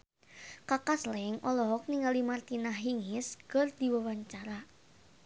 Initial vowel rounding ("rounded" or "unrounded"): unrounded